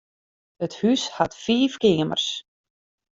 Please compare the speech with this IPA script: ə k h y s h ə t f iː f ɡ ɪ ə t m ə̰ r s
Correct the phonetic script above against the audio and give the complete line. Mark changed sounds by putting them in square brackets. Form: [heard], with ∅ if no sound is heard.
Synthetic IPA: ə [t] h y s h [a] t f iː f [k] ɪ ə [∅] m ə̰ r s